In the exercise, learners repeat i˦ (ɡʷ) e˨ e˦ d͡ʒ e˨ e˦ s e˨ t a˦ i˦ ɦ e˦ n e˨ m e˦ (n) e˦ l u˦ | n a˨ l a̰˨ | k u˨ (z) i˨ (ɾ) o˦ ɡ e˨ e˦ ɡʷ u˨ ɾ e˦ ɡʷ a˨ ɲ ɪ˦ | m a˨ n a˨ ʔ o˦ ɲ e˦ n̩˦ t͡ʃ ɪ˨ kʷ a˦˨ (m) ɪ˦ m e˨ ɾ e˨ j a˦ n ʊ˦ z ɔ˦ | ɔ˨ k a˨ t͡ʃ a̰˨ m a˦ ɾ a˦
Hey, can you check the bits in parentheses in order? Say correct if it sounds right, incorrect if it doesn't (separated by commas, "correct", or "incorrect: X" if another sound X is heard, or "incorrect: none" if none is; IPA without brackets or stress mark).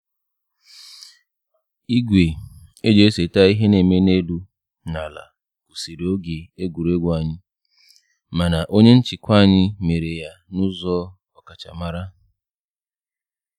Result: correct, correct, incorrect: s, correct, incorrect: ɲ